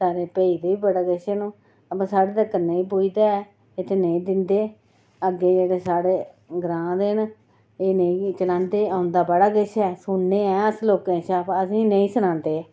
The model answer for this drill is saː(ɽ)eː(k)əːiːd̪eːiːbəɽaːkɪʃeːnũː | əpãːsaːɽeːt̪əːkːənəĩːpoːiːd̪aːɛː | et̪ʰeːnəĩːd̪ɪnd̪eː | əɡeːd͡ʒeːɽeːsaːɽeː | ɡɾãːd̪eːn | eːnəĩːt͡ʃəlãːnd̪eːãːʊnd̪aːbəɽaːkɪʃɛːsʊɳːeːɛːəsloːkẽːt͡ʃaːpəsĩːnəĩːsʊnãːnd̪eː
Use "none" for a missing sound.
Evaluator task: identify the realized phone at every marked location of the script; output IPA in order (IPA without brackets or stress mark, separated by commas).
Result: ɾ, p